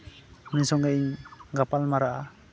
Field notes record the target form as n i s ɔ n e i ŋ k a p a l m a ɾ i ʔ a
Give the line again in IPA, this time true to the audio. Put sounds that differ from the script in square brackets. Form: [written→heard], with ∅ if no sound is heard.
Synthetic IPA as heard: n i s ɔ [n→ŋ] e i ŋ [k→ɡ] a p a l m a ɾ [i→a] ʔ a